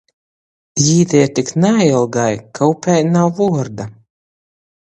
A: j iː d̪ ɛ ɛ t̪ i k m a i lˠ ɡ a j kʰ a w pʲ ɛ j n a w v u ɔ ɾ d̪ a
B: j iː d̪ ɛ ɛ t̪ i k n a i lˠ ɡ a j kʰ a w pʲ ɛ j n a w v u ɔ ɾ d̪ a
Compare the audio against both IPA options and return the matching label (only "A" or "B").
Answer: B